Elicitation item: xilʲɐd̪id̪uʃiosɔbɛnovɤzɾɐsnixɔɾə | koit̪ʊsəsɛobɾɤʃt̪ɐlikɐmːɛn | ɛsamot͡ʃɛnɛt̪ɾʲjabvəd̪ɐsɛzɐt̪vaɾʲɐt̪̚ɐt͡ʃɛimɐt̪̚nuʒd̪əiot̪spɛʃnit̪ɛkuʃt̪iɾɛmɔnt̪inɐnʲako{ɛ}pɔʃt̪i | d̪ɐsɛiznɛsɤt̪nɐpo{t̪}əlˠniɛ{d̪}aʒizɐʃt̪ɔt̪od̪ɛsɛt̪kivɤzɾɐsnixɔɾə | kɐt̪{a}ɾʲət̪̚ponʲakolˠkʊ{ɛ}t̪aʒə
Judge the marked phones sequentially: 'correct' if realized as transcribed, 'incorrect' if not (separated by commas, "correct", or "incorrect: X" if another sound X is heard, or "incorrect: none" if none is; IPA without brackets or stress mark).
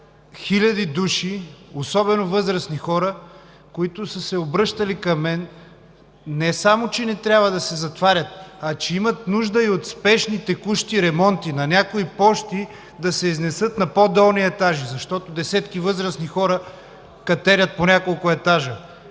incorrect: i, incorrect: d̪, incorrect: t̪, incorrect: ɛ, correct